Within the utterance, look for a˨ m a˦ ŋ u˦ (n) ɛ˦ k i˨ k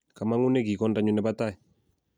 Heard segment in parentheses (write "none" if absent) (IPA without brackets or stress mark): n